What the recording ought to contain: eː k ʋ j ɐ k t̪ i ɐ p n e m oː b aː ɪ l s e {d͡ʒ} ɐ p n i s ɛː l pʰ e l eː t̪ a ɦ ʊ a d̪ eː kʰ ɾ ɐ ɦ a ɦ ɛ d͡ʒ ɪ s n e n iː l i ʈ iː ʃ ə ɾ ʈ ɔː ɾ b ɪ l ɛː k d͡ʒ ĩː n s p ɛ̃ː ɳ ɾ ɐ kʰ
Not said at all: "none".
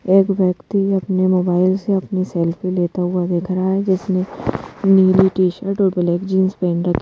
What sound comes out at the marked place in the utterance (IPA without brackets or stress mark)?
none